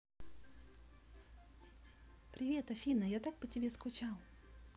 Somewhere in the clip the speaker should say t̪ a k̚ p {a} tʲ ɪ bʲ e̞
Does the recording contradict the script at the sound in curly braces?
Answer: yes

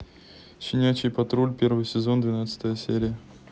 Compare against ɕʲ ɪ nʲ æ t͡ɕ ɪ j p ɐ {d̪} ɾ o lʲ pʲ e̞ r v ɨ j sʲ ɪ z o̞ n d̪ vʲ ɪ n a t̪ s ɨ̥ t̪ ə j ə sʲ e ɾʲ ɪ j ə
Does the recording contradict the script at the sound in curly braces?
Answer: yes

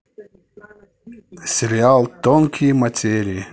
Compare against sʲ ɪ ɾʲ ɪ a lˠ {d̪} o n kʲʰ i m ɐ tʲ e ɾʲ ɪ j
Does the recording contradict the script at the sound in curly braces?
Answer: yes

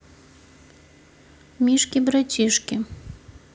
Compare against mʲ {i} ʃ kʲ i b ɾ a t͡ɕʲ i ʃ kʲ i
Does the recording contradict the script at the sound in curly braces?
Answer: no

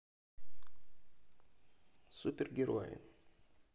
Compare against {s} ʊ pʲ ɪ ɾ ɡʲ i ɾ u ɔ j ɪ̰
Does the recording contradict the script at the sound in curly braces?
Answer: no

